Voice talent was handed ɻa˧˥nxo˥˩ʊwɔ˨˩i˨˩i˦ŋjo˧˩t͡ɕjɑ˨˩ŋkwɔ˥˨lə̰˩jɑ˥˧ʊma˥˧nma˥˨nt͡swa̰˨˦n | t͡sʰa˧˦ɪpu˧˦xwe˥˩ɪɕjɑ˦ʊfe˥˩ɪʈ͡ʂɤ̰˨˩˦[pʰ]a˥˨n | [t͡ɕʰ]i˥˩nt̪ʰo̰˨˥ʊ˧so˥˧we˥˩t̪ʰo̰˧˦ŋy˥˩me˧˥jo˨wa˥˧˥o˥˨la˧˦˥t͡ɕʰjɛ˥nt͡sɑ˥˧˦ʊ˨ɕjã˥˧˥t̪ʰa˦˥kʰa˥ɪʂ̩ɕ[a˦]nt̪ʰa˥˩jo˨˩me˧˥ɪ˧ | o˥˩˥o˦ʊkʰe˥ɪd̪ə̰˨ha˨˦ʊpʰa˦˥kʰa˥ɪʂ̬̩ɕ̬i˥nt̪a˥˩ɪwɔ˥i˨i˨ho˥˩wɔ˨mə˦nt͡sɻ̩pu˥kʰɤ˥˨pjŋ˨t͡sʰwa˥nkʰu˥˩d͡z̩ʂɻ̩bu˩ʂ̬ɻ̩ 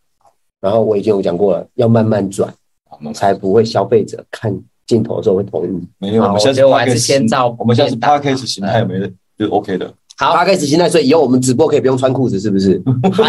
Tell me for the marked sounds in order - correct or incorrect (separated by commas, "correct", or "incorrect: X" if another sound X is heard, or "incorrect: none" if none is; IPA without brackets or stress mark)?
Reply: incorrect: kʰ, incorrect: t͡ɕ, incorrect: i˦